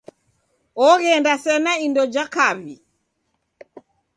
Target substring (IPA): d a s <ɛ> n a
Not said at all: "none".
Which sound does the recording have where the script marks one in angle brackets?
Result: ɛ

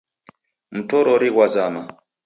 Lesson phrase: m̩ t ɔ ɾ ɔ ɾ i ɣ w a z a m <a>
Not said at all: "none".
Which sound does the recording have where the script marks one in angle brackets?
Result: a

